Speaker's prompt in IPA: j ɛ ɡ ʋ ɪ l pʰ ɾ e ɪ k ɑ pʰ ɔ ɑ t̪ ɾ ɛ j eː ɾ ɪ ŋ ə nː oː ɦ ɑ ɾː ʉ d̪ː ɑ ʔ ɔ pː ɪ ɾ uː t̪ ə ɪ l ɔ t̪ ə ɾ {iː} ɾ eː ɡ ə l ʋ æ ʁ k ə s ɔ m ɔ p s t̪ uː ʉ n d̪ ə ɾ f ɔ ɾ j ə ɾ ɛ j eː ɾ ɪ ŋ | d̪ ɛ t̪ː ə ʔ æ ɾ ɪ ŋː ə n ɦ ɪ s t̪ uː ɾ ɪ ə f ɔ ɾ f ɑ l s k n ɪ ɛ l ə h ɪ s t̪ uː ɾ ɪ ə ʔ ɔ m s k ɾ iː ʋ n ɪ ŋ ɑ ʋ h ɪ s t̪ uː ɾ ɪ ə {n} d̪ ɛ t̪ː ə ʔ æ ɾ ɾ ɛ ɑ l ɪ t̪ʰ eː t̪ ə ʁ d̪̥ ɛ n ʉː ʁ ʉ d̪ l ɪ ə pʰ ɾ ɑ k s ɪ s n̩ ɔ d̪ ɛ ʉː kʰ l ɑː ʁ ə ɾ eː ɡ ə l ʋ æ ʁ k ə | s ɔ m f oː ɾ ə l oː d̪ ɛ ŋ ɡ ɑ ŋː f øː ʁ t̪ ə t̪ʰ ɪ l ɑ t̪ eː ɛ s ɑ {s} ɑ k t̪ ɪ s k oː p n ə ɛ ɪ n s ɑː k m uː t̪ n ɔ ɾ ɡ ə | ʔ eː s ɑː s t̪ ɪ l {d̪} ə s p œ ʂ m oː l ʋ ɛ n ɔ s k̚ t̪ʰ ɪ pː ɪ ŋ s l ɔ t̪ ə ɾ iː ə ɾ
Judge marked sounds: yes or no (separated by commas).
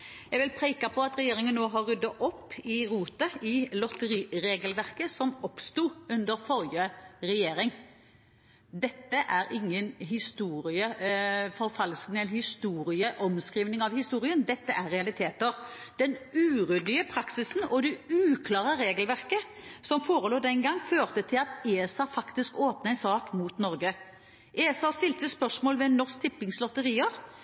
yes, yes, no, no